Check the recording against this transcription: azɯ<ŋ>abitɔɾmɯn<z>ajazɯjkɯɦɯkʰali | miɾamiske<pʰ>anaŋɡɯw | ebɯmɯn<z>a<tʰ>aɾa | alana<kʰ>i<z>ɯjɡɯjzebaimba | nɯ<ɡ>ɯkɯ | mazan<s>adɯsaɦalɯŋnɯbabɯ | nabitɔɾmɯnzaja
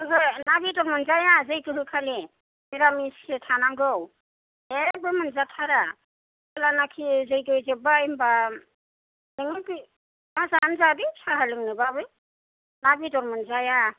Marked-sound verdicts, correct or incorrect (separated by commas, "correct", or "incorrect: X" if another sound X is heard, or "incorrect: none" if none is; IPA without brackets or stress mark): incorrect: n, correct, incorrect: tʰ, correct, correct, correct, correct, incorrect: ŋ, incorrect: z